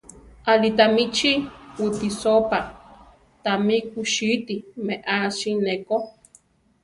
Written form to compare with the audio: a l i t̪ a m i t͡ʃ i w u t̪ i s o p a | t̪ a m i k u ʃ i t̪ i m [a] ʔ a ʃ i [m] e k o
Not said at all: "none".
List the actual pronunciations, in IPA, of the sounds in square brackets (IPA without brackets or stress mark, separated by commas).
e, n